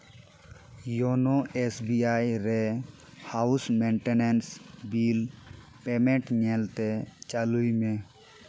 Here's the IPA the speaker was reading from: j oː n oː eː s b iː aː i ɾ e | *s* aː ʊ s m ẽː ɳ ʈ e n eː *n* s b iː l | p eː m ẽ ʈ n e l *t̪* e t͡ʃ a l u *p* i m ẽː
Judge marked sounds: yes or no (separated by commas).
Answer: no, yes, yes, no